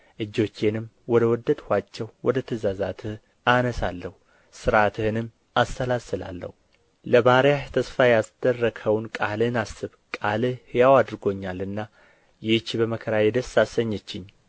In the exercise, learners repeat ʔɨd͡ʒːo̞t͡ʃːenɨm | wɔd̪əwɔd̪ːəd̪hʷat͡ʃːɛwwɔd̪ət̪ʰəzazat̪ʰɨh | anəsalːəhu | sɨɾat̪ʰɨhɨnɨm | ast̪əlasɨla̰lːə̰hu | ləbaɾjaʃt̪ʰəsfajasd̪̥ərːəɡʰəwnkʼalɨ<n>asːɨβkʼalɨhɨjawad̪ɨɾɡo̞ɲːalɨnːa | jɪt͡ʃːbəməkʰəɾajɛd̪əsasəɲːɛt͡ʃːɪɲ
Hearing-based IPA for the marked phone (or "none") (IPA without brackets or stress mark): n